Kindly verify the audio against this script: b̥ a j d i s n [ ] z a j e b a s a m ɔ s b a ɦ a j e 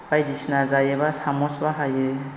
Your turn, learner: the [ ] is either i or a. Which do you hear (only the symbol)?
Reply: a